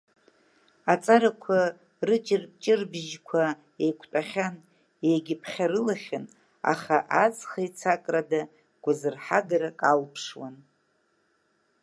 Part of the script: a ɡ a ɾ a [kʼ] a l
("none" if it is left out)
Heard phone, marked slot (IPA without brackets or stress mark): kʼ